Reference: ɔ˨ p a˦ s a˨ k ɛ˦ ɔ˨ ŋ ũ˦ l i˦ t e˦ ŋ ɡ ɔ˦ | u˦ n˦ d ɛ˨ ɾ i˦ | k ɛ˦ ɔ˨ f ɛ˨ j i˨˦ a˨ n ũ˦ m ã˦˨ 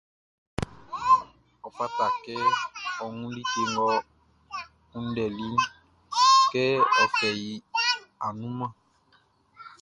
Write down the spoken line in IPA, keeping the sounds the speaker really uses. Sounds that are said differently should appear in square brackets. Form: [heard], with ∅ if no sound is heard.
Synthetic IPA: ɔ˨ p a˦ [t] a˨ k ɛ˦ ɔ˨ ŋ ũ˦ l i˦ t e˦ ŋ ɡ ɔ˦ | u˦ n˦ d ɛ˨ [l] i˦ | k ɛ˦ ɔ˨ f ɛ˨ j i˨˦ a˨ n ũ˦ m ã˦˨